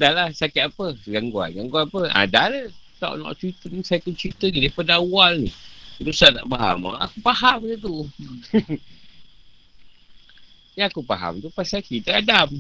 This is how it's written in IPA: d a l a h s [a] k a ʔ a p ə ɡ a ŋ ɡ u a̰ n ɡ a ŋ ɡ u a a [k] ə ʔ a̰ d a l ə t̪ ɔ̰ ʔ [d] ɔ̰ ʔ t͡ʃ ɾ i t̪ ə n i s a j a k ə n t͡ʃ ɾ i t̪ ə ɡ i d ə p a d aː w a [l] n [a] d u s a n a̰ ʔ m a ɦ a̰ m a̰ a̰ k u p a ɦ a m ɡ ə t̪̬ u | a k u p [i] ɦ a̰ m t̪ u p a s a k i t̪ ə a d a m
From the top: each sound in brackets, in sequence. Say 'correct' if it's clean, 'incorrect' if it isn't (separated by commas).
correct, incorrect, incorrect, correct, incorrect, incorrect